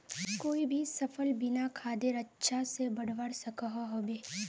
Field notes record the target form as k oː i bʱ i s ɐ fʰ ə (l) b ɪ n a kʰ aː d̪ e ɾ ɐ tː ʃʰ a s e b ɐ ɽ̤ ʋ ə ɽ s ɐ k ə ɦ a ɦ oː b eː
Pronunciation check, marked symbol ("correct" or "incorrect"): correct